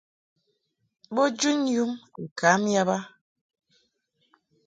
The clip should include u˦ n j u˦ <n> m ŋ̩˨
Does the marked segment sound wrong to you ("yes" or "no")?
yes